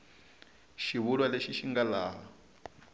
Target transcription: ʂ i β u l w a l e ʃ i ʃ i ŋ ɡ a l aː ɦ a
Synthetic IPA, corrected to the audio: ʃ i β u l w a l e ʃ i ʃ i ŋ ɡ a l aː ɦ a